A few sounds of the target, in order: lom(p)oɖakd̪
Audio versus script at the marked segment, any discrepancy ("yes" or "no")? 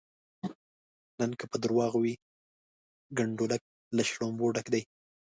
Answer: yes